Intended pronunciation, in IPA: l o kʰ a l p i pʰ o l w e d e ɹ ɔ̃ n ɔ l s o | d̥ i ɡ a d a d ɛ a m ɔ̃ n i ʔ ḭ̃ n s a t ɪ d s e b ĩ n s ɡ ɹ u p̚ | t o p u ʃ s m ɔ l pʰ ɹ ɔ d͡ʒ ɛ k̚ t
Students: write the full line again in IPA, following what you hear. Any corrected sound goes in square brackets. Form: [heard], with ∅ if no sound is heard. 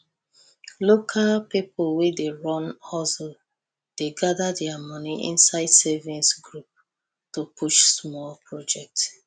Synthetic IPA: l o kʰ a l p i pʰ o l w e d e ɹ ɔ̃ n ɔ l s o | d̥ [e] ɡ a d a d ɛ a m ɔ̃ n i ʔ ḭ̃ n s a [∅] ɪ d s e [v] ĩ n s ɡ ɹ u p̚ | t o p u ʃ s m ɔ l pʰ ɹ ɔ d͡ʒ ɛ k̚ t